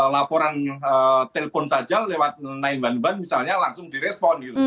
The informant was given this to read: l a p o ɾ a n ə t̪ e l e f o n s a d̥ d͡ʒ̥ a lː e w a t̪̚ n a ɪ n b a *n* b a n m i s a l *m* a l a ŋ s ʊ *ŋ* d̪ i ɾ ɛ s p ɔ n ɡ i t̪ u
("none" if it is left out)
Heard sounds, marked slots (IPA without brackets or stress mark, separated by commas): n, ɲ, ŋ